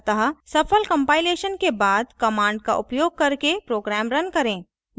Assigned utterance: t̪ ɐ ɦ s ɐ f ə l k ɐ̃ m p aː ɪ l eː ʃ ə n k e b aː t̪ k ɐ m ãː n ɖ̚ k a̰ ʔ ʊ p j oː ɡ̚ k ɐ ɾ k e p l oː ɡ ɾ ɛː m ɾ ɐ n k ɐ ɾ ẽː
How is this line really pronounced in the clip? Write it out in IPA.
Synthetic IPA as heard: t̪ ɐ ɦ s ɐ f ə l k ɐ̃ m p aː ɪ l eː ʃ ə n k e b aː d̪ k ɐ m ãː ɳ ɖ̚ k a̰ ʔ ʊ p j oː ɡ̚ k ɐ ɾ k e p ɾ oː ɡ ɾ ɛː m ɾ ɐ n k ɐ ɾ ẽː